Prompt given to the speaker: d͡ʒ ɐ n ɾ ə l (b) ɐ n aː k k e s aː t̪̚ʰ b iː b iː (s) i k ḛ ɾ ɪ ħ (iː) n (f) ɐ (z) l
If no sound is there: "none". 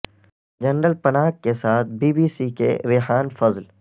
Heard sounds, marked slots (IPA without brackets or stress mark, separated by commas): p, s, aː, f, z